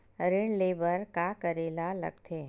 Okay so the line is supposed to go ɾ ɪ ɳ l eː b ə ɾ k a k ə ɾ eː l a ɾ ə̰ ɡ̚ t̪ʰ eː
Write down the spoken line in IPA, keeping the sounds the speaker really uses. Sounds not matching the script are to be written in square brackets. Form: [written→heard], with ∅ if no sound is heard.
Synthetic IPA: ɾ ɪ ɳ l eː b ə ɾ k a k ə ɾ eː l a [ɾ→l] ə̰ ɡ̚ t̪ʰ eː